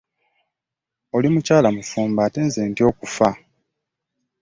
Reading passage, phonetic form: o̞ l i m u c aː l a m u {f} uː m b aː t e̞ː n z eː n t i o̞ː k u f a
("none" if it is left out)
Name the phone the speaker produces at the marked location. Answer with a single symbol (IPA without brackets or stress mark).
f